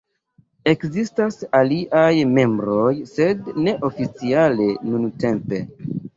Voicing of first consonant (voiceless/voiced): voiceless